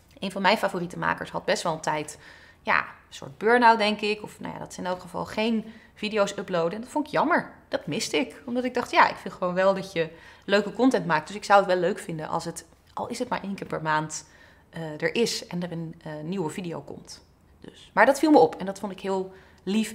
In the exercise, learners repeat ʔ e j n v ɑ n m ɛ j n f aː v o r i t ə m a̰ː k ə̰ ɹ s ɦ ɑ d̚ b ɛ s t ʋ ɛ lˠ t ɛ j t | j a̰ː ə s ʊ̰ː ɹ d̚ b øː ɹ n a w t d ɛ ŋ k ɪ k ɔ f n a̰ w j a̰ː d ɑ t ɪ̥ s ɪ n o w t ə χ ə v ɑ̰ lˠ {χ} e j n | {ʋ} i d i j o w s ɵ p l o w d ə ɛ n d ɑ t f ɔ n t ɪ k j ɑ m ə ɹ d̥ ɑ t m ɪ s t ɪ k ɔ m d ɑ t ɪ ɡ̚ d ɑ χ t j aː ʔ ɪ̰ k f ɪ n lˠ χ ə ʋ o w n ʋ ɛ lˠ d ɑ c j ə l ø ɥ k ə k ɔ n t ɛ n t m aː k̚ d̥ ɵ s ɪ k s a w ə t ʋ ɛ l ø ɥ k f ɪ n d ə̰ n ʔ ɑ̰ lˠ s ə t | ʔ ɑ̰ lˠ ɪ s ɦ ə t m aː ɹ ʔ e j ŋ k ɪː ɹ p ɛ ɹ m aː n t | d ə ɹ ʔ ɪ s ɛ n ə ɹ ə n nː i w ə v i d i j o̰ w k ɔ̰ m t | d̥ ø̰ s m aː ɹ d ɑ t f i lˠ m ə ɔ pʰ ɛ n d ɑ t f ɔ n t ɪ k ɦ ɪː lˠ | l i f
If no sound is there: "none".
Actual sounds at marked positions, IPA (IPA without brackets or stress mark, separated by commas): χ, v